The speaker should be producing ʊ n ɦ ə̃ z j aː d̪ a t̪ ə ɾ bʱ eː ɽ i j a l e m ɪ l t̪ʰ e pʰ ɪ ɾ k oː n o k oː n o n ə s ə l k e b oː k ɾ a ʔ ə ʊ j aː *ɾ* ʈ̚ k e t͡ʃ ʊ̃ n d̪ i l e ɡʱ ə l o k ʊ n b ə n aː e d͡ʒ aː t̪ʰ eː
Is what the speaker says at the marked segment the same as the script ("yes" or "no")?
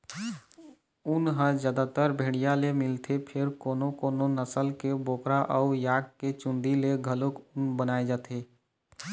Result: no